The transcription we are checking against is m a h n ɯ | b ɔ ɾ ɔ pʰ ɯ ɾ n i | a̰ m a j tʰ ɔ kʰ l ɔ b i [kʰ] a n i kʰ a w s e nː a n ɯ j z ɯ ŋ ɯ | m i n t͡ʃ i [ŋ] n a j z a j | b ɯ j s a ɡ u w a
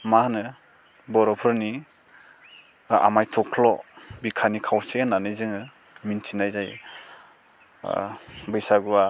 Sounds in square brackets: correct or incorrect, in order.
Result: correct, incorrect: none

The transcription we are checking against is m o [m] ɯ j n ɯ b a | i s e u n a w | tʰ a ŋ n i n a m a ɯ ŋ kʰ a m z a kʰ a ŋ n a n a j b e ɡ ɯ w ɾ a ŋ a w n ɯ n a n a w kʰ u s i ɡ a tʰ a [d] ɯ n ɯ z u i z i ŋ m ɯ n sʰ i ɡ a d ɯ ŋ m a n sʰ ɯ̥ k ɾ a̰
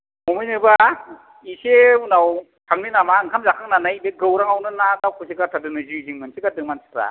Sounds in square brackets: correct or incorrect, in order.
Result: correct, correct

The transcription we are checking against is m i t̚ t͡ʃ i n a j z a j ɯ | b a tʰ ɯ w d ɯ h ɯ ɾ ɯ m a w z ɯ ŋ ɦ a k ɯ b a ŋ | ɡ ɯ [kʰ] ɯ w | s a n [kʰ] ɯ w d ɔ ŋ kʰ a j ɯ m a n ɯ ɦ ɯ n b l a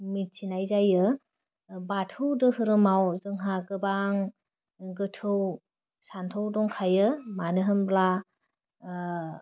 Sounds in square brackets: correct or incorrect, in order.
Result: incorrect: tʰ, incorrect: tʰ

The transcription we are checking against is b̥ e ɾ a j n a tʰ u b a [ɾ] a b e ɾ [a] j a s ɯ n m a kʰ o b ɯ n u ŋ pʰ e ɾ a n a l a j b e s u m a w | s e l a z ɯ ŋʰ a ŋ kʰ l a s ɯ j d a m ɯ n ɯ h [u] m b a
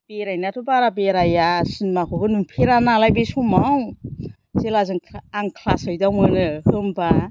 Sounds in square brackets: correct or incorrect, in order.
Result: correct, correct, incorrect: ɯ

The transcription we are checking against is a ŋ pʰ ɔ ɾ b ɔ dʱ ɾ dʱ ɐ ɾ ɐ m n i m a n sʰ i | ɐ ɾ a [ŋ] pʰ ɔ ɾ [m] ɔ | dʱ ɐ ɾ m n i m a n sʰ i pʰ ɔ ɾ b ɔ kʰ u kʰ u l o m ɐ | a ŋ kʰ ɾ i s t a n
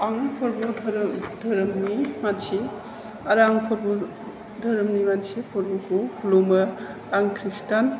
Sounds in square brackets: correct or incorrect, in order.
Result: correct, incorrect: b

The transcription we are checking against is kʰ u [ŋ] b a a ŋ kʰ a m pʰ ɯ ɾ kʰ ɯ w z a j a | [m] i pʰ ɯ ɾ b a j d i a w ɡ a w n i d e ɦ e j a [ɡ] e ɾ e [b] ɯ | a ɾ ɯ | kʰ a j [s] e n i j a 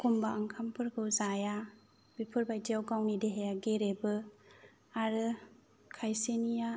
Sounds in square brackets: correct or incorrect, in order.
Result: incorrect: m, incorrect: b, correct, correct, correct

